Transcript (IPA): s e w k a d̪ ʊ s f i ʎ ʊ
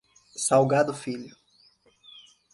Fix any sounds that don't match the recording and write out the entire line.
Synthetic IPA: s a w ɡ a d̪ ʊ f i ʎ ʊ